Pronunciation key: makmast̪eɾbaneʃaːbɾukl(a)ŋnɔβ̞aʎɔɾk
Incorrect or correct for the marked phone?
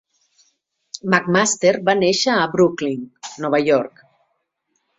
incorrect: i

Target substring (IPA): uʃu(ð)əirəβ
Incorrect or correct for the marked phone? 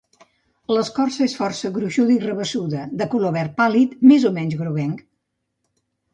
correct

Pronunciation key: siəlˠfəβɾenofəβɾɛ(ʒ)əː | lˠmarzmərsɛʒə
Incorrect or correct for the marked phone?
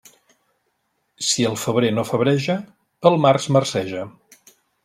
correct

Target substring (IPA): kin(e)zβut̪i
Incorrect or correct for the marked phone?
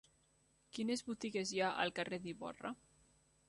correct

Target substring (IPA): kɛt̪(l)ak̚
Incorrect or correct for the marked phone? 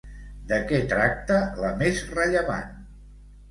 incorrect: ɾ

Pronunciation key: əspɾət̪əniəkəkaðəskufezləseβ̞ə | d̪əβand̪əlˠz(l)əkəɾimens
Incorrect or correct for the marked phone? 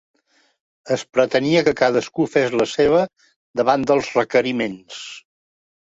incorrect: r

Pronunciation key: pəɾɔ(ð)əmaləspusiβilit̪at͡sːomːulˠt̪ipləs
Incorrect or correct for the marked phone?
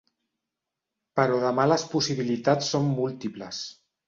correct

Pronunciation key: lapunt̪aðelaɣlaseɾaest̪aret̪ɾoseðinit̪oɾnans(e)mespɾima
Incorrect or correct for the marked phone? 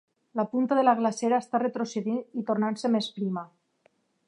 correct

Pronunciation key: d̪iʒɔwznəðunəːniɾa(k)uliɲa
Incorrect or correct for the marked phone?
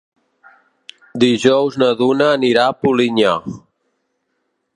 incorrect: p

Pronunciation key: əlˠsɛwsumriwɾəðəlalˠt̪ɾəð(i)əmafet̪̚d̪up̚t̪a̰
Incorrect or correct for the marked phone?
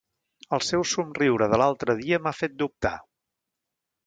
correct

